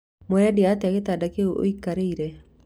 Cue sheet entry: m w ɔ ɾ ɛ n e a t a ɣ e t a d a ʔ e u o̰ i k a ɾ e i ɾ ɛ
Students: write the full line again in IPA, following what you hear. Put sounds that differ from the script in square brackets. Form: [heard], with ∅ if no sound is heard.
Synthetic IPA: m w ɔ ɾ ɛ [d] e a t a ɣ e t a d a [k] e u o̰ i k a ɾ e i ɾ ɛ